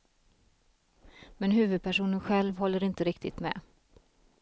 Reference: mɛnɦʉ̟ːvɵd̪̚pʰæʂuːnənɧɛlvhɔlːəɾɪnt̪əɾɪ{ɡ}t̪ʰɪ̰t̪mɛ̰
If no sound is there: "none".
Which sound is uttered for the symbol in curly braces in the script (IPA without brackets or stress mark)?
k